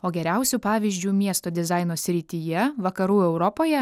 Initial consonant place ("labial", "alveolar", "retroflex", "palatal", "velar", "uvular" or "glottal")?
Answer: velar